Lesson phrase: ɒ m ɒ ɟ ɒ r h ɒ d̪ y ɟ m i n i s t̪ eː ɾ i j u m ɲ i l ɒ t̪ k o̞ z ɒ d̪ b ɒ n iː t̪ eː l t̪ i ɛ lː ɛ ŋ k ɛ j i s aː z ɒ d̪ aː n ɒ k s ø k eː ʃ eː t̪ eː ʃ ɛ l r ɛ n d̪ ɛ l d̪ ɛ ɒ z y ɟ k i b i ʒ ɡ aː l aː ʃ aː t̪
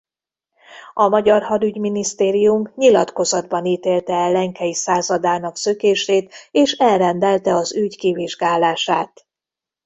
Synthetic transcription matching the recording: ɒ m ɒ ɟ ɒ r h ɒ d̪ y ɟ m i n i s t̪ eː ɾ i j u m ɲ i l ɒ t̪ k o̞ z ɒ d̪ b ɒ n iː t̪ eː l t̪ ɛ ɛ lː ɛ ŋ k ɛ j i s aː z ɒ d̪ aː n ɒ k s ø k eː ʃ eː t̪ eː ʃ ɛ l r ɛ n d̪ ɛ l t̪ ɛ ɒ z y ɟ k i v i ʒ ɡ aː l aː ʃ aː t̪